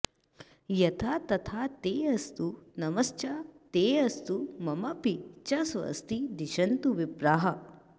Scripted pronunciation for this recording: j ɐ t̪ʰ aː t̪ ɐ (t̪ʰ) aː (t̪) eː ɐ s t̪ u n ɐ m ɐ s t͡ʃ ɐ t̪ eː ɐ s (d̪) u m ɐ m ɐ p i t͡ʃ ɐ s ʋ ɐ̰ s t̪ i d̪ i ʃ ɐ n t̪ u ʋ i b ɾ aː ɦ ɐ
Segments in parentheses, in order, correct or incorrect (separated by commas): correct, correct, incorrect